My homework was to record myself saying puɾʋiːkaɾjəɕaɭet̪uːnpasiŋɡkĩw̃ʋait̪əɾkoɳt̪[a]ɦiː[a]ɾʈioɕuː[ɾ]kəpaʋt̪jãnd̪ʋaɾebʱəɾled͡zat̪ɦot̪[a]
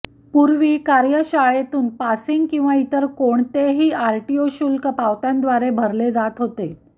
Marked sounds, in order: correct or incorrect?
incorrect, correct, incorrect, incorrect

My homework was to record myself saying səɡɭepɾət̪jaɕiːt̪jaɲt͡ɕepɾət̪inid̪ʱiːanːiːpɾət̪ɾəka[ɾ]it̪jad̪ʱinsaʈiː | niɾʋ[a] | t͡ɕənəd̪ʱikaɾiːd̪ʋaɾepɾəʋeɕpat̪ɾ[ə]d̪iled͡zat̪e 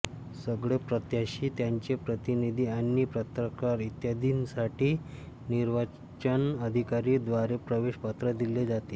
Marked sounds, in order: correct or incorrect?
correct, correct, correct

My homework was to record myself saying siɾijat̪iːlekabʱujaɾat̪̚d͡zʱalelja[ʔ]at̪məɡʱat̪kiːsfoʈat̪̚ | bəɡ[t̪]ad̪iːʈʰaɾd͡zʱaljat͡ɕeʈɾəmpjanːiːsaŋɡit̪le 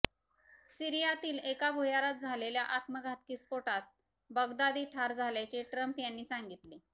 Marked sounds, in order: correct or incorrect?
correct, incorrect

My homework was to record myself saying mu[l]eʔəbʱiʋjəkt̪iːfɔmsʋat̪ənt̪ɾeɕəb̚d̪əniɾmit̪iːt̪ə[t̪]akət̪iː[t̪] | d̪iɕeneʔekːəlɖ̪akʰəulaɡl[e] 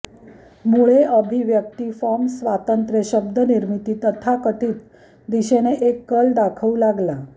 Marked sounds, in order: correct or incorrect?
incorrect, incorrect, correct, incorrect

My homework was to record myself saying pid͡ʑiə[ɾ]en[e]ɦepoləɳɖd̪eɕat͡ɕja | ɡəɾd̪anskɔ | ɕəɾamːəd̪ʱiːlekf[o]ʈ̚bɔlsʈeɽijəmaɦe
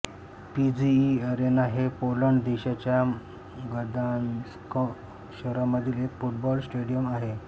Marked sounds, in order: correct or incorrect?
correct, incorrect, incorrect

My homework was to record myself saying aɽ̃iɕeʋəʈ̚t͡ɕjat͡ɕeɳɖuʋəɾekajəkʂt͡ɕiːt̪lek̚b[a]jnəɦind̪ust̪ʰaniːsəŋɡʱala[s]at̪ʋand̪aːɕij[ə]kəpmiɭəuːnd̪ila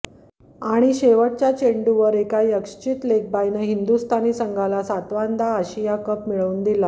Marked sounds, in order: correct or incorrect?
correct, correct, incorrect

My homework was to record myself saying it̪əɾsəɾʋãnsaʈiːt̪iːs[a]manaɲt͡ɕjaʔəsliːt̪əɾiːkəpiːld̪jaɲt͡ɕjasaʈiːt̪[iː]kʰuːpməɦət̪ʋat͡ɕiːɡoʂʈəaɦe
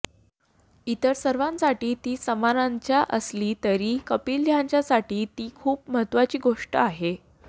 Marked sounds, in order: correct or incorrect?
incorrect, correct

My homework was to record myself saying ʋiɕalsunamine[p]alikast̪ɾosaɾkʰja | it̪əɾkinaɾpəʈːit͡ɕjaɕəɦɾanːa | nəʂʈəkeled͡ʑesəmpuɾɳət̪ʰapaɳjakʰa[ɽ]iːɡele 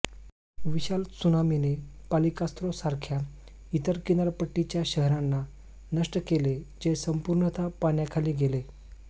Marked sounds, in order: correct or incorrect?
correct, incorrect

